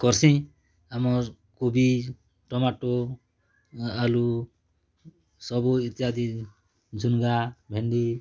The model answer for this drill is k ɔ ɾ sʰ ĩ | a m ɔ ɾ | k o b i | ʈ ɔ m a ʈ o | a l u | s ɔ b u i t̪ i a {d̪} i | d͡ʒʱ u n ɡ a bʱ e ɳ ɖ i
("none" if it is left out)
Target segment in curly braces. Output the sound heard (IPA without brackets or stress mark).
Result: d̪